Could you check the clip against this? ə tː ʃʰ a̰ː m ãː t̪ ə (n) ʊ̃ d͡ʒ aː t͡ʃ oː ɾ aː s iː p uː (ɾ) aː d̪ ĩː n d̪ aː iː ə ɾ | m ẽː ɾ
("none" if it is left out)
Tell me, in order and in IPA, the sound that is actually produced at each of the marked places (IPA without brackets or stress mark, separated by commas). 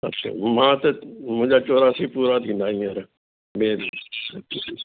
m, ɾ